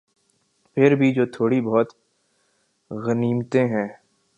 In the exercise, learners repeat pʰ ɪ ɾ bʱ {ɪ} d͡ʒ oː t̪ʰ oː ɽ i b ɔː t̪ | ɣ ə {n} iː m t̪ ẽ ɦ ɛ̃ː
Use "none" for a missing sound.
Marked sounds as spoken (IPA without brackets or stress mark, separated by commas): i, n